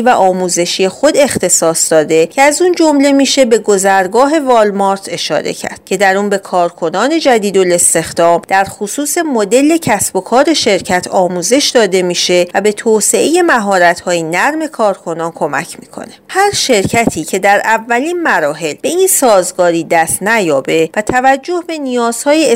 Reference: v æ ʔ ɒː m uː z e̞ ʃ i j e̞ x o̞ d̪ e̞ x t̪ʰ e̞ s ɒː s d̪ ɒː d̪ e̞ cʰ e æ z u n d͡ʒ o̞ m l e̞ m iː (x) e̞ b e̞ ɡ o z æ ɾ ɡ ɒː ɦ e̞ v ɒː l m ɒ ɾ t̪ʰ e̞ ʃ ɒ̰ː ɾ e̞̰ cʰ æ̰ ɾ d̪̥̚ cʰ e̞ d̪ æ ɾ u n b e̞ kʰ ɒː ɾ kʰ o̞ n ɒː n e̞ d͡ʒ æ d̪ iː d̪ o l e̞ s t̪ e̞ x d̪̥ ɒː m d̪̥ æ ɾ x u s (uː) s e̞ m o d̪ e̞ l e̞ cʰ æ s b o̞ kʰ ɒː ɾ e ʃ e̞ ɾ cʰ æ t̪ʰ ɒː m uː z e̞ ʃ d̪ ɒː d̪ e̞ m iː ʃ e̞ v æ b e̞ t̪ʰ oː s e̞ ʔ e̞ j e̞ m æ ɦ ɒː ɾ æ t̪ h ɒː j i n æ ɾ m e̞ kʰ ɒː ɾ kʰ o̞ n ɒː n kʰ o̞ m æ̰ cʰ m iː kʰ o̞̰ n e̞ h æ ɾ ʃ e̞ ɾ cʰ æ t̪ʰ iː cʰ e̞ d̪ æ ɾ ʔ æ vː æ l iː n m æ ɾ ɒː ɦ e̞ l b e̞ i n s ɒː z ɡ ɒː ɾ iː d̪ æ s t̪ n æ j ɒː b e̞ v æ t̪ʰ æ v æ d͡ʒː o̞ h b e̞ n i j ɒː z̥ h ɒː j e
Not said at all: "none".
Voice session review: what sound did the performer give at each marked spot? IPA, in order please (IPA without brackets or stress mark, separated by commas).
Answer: ʃ, uː